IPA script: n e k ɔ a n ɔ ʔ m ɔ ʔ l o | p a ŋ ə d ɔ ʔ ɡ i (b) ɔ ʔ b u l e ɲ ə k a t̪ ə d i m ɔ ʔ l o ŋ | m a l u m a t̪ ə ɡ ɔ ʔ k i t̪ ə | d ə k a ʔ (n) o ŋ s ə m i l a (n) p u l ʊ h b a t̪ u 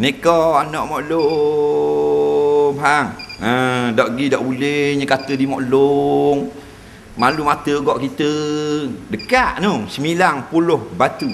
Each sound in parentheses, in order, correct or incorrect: incorrect, correct, incorrect

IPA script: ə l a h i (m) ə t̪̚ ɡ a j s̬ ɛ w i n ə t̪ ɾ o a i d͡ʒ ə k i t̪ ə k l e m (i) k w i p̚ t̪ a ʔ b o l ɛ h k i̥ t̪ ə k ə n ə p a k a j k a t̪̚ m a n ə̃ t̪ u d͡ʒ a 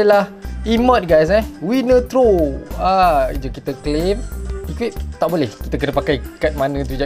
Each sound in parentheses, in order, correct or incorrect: correct, correct

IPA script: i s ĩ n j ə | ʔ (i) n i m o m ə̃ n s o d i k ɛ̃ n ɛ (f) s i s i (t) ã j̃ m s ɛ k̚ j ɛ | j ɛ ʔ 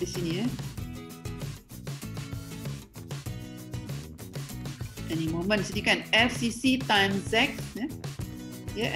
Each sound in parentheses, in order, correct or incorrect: incorrect, correct, correct

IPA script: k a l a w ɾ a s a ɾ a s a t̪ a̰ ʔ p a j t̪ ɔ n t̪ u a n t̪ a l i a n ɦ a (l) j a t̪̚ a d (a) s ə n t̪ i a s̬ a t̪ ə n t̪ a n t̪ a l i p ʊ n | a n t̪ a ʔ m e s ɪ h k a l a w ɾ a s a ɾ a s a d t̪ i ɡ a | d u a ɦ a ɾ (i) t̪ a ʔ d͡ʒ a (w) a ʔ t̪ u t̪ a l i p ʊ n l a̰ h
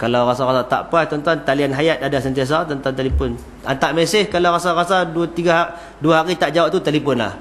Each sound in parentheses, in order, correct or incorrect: incorrect, correct, correct, correct

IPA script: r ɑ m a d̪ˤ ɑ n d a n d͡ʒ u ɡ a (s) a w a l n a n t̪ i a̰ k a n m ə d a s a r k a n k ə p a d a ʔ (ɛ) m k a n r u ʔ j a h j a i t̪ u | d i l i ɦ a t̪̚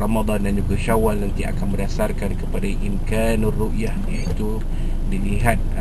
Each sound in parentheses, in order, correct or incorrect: incorrect, incorrect

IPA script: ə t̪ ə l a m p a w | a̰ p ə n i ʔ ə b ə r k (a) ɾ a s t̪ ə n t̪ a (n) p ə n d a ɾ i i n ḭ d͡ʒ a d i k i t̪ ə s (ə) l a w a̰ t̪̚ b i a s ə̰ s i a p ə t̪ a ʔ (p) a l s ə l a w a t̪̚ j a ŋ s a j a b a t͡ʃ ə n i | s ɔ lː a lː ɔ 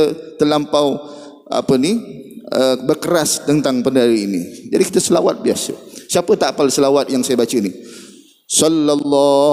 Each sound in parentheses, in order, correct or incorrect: incorrect, incorrect, correct, correct

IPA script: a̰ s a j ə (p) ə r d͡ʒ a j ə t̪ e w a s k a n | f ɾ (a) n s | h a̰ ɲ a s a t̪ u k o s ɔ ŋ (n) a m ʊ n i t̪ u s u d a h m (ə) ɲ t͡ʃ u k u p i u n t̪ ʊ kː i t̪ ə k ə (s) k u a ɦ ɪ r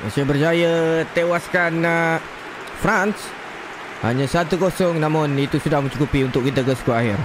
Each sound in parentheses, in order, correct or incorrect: incorrect, correct, correct, correct, correct

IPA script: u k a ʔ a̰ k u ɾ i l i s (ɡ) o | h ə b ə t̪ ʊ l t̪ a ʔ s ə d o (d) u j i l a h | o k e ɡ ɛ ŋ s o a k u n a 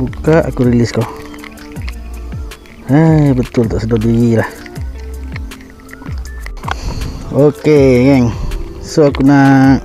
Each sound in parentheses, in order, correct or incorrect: incorrect, correct

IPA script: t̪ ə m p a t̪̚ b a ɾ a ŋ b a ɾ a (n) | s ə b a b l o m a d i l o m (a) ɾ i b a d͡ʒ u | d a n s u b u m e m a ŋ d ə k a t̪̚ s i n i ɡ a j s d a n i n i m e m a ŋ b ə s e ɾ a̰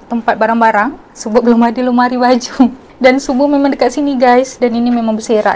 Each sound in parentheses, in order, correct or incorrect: incorrect, correct

